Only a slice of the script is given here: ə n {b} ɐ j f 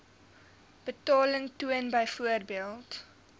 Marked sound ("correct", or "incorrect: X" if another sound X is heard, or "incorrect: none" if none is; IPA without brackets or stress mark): correct